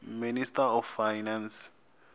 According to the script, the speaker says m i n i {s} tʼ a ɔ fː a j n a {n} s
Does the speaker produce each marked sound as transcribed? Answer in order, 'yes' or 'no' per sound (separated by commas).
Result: yes, yes